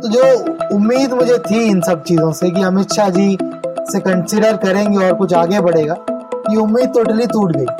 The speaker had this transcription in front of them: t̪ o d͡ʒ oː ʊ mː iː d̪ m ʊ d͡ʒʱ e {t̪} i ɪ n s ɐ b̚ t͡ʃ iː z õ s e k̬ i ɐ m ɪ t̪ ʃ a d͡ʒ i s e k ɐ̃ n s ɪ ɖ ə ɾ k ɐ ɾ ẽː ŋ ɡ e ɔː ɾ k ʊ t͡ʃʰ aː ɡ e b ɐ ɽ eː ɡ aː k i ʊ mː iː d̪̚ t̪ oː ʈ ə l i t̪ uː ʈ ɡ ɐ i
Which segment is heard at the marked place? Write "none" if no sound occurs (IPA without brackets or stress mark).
t̪ʰ